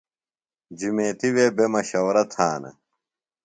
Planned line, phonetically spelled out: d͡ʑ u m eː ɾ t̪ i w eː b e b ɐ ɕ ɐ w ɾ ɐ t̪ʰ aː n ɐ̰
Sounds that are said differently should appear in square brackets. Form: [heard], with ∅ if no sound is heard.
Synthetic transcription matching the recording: d͡ʑ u m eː [∅] t̪ i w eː b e [m] ɐ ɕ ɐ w ɾ ɐ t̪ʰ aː n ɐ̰